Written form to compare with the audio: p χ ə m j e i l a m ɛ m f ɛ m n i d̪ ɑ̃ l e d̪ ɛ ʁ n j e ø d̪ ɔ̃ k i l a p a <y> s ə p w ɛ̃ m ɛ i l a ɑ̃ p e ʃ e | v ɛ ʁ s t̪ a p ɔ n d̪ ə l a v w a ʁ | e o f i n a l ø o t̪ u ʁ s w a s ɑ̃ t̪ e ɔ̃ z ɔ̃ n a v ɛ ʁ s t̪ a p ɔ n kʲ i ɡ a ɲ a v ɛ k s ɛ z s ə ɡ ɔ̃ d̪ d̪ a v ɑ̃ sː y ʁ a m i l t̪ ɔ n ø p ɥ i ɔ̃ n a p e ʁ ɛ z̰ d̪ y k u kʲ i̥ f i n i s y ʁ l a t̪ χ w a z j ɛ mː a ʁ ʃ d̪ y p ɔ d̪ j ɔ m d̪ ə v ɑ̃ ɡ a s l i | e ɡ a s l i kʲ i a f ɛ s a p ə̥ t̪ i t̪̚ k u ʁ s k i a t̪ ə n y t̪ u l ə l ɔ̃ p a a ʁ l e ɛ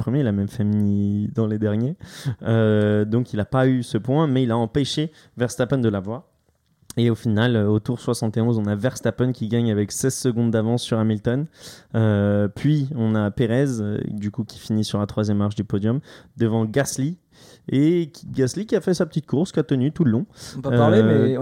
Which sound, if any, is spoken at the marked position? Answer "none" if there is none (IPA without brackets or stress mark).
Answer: y